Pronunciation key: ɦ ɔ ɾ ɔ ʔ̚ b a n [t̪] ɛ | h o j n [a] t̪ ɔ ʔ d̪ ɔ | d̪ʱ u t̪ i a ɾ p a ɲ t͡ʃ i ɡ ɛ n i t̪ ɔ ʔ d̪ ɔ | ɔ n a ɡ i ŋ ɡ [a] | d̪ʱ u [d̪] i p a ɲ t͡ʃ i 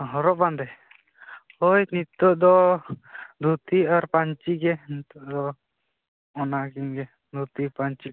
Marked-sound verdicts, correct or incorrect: incorrect, incorrect, incorrect, incorrect

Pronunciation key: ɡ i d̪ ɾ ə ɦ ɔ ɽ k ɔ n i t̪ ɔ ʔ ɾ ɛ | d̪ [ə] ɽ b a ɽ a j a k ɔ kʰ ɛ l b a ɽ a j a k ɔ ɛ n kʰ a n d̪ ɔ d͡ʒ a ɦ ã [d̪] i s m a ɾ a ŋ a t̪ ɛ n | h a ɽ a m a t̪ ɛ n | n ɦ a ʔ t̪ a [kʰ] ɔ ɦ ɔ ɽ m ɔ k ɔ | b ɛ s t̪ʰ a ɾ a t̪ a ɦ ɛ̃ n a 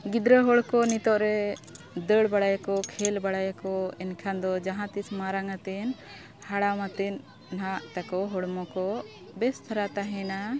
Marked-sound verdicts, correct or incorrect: correct, incorrect, incorrect

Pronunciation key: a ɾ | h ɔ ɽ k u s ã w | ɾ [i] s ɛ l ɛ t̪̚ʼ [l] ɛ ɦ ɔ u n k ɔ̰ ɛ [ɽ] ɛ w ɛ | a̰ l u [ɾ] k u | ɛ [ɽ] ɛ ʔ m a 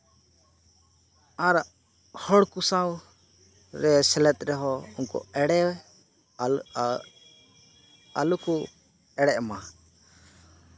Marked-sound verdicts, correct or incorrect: incorrect, incorrect, correct, incorrect, correct

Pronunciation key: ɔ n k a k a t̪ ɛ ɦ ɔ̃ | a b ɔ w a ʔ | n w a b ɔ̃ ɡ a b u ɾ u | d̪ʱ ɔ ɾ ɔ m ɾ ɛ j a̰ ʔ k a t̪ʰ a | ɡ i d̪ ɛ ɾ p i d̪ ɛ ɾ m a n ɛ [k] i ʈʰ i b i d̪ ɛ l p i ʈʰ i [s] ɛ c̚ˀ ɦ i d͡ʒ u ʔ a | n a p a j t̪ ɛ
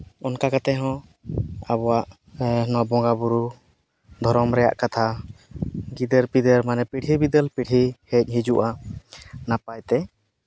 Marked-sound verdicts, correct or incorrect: incorrect, incorrect

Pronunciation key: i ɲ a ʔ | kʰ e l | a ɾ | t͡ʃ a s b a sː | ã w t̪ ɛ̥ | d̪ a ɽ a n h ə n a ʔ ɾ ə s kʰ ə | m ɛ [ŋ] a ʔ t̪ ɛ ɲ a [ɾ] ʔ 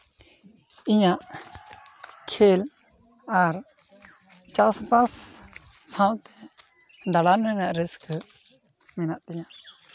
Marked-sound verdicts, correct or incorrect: incorrect, incorrect

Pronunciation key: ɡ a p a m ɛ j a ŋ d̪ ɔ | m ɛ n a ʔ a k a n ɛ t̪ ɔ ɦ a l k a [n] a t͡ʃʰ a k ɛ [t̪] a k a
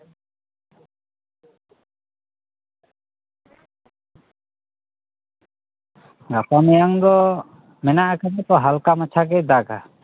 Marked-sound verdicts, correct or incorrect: incorrect, incorrect

